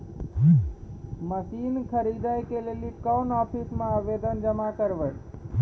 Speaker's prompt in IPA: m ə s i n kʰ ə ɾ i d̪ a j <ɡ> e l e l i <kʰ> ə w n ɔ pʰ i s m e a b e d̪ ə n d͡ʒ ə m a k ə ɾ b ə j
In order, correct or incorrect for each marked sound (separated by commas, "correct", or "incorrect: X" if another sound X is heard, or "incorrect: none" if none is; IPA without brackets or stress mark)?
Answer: incorrect: k, incorrect: k